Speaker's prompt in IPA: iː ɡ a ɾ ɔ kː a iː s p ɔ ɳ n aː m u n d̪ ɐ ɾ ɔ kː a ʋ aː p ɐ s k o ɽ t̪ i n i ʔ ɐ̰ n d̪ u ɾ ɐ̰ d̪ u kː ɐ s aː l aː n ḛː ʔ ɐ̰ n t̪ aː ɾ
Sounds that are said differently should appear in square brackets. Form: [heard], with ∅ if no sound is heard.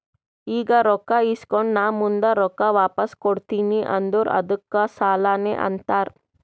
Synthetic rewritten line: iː ɡ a ɾ ɔ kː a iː s [k] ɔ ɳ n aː m u n d̪ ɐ ɾ ɔ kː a ʋ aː p ɐ s k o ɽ t̪ i n i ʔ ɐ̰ n d̪ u ɾ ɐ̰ d̪ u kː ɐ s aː l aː n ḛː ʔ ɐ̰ n t̪ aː ɾ